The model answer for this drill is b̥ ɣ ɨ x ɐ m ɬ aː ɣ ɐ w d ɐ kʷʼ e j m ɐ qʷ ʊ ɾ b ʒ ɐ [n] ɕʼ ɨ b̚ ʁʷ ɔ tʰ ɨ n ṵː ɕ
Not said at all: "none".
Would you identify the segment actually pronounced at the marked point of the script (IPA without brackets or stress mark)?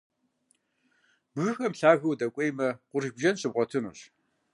n